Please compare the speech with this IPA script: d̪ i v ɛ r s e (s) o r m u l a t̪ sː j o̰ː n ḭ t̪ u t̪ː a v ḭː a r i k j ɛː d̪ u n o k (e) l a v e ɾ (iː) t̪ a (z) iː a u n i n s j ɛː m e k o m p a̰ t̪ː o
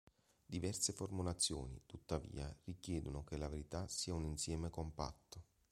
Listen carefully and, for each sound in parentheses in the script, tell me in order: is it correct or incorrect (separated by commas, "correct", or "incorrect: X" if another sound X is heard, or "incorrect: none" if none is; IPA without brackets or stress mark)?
incorrect: f, correct, incorrect: i, incorrect: s